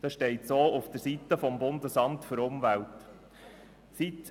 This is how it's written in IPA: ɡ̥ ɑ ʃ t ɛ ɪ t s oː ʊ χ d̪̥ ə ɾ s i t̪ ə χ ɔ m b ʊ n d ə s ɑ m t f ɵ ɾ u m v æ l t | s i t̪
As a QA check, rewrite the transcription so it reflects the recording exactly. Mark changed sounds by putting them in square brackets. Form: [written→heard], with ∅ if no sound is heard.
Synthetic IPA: [ɡ̥→d̥] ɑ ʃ t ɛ ɪ t s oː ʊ [χ→f] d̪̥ ə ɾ s i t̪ ə [χ→f] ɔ m b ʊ n d ə s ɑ m t f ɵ ɾ [u→ʊ] m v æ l t | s i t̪